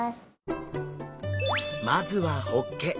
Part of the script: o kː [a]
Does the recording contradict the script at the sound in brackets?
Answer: yes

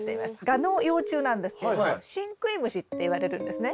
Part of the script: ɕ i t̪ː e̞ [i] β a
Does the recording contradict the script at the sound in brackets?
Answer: no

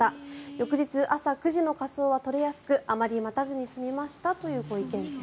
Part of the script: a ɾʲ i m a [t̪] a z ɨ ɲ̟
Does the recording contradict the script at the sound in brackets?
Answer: no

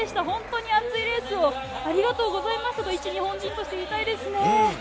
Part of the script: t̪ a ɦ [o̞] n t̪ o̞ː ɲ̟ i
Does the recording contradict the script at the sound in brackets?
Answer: yes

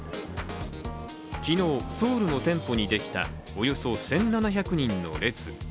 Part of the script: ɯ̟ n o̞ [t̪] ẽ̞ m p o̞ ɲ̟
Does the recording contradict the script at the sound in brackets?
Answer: no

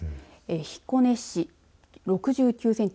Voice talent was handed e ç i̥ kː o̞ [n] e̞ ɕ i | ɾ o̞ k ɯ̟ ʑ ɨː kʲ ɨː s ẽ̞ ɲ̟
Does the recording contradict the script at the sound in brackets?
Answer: no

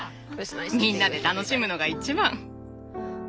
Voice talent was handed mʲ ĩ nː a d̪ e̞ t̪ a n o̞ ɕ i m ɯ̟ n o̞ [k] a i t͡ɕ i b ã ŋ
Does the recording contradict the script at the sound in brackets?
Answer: yes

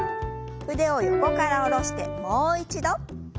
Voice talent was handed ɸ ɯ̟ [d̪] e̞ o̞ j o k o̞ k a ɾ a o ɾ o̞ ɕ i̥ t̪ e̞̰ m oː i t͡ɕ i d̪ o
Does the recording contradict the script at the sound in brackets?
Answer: no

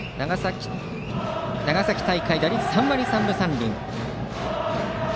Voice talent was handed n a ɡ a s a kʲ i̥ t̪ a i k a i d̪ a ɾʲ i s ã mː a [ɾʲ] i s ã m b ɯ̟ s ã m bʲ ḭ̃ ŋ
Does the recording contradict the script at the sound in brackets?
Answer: no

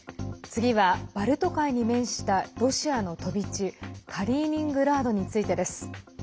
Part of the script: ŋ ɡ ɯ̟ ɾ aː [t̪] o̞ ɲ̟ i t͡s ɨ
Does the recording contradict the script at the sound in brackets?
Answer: yes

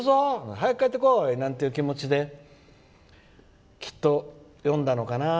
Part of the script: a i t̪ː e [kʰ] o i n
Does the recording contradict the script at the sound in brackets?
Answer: yes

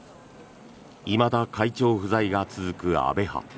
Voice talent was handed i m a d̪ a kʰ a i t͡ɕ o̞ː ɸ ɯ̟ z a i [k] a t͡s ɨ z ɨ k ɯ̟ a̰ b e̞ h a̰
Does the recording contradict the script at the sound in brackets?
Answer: yes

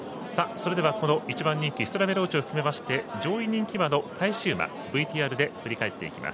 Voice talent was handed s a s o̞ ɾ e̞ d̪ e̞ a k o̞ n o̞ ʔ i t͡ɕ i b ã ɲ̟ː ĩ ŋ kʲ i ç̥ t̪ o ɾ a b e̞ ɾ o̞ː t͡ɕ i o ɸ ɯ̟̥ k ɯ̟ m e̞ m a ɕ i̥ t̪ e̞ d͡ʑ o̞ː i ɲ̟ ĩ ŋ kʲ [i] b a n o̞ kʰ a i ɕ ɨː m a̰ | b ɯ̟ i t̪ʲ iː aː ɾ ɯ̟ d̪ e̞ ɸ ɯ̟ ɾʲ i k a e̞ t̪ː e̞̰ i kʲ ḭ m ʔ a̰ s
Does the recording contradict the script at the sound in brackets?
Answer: no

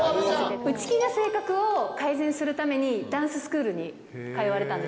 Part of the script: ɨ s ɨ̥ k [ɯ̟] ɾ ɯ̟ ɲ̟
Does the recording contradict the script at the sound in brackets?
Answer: yes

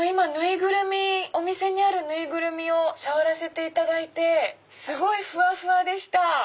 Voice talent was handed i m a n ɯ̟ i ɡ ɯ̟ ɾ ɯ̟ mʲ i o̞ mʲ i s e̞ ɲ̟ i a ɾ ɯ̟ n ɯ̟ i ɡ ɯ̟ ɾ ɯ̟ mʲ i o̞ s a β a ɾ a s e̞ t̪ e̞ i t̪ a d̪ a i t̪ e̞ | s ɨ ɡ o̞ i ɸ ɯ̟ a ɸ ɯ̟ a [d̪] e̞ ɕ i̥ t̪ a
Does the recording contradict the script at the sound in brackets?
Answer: no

